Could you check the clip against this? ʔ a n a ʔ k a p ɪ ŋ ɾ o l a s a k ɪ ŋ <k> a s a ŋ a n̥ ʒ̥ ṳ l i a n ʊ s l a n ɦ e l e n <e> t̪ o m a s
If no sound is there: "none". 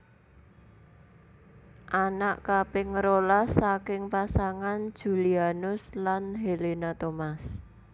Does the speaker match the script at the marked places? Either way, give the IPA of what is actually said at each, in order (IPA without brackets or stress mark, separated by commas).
p, a